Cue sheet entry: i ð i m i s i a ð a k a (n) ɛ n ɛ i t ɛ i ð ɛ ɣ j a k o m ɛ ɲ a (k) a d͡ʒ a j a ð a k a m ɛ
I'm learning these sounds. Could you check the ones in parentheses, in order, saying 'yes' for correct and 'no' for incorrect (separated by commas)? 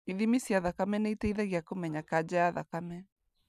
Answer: no, yes